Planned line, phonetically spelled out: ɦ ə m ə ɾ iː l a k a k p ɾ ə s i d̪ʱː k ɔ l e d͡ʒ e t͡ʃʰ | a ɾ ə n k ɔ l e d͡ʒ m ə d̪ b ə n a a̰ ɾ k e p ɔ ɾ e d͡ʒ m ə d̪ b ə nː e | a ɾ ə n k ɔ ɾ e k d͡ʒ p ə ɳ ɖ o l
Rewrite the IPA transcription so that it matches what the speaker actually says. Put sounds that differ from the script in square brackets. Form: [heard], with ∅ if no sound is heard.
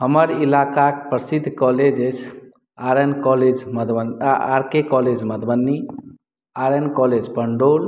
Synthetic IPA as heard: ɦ ə m ə ɾ [i] l a k a k p ɾ ə s i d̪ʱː k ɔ l e d͡ʒ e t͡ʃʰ | a ɾ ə n k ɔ l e d͡ʒ m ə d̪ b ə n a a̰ ɾ k e [k] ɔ [l] e d͡ʒ m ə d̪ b ə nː [i] | a ɾ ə n k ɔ [l] e [∅] d͡ʒ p ə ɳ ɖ o l

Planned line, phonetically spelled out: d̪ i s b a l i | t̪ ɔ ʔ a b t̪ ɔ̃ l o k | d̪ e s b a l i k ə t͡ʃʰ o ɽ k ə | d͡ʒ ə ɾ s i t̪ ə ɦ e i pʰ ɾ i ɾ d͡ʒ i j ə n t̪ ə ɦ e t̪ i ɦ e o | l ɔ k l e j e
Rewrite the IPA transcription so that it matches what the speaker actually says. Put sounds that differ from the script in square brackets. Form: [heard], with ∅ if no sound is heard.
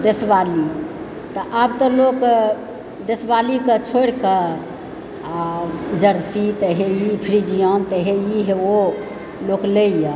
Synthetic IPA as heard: d̪ [e] s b a l i | t̪ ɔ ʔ a b t̪ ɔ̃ l o k | d̪ e s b a l i k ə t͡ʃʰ o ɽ k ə | d͡ʒ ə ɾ s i t̪ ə ɦ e i pʰ ɾ i [∅] d͡ʒ i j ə n t̪ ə ɦ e [∅] i ɦ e o | l [o] k l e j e

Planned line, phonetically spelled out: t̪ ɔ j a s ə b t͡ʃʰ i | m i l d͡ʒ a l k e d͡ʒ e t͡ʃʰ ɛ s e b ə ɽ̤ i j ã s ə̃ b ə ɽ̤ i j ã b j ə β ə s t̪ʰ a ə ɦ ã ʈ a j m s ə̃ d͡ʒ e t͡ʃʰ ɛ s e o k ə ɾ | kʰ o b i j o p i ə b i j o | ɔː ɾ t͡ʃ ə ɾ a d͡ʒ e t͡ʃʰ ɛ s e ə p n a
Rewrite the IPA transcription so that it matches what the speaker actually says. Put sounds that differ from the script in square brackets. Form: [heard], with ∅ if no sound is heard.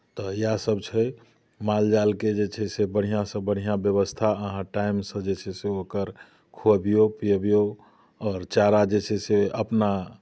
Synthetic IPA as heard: t̪ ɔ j a s ə b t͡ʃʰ [ɛ] | m [a] l d͡ʒ a l k e d͡ʒ e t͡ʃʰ ɛ s e b ə ɽ̤ i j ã s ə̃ b ə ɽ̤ i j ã b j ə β ə s t̪ʰ a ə ɦ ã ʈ a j m s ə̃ d͡ʒ e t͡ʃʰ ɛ s e o k ə ɾ | kʰ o b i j o p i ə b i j o | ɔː ɾ t͡ʃ [a] ɾ a d͡ʒ e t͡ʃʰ ɛ s e ə p n a

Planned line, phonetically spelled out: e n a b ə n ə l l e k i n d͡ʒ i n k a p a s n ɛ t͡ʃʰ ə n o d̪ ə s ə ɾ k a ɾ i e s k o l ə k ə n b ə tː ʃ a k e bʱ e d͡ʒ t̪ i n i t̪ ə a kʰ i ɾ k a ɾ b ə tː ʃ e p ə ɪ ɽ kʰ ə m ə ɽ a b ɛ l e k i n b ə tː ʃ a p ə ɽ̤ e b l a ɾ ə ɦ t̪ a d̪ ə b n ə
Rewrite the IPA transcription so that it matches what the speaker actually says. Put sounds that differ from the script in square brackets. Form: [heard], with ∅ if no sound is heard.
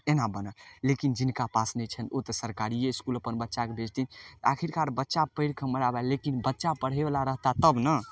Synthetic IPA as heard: e n a b ə n ə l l e k i n d͡ʒ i n k a p a s n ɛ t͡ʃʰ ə n o [t̪] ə s ə ɾ k a ɾ i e s k [u] l ə [p] ə n b ə tː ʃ a k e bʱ e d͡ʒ t̪ i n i t̪ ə a kʰ i ɾ k a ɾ b ə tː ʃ [a] p ə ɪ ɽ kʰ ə m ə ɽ a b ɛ l e k i n b ə tː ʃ a p ə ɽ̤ e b l a ɾ ə ɦ t̪ a [t̪] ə b n ə

